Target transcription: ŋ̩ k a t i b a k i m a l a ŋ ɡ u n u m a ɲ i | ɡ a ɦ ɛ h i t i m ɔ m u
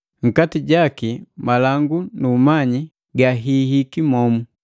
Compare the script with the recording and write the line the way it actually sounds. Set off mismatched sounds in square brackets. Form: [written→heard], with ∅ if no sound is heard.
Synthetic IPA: ŋ̩ k a t i [b→ɟ] a k i m a l a ŋ ɡ u n u m a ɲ i | ɡ a ɦ [ɛ→i] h i [t→k] i m ɔ m u